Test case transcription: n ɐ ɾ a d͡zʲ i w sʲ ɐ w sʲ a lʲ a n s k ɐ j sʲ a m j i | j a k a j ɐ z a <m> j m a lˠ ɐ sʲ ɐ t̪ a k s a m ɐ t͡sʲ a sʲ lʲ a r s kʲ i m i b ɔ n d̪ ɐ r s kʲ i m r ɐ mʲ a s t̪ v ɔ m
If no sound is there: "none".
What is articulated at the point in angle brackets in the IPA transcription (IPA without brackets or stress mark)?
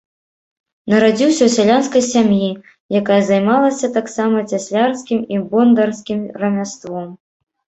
none